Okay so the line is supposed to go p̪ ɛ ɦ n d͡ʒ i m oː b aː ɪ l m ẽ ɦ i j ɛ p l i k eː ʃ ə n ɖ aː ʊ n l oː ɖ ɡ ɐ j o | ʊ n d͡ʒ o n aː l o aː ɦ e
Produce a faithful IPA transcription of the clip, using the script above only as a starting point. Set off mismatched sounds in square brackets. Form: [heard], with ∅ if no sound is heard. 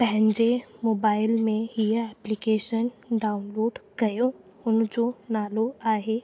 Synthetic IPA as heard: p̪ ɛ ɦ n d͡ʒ [e] m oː b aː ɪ l m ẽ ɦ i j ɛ p l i k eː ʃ ə n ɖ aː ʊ n l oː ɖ ɡ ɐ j o | ʊ n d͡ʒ o n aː l o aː ɦ e

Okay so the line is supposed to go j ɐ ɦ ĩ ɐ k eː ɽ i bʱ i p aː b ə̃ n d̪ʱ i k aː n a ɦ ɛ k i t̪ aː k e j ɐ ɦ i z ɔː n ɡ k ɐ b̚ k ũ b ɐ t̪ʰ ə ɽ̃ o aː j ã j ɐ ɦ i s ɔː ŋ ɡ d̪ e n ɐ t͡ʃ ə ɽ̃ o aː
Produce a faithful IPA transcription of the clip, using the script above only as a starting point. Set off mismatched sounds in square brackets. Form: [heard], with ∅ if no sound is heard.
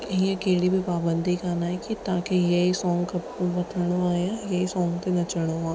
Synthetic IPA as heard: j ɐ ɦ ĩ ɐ k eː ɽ i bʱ i p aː b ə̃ n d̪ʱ i k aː n a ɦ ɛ k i t̪ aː k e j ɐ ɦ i [s] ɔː [ŋ] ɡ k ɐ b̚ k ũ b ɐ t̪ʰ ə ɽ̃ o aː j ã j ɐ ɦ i s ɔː ŋ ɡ [t̪] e n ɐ t͡ʃ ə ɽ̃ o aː

